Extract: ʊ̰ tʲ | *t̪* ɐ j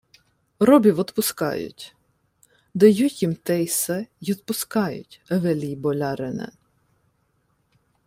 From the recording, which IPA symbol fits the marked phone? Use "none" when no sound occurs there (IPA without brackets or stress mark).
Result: d̪